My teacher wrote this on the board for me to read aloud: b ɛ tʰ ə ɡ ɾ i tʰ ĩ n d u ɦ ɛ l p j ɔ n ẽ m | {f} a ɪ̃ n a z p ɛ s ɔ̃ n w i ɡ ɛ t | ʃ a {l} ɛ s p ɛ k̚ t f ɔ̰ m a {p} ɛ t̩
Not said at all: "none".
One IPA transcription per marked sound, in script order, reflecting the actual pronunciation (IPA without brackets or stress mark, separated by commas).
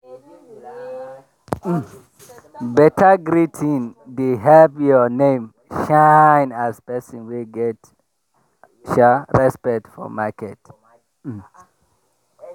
ʃ, ɹ, k